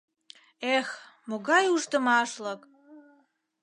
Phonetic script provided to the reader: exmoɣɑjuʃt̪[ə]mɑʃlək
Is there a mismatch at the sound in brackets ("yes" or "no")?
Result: no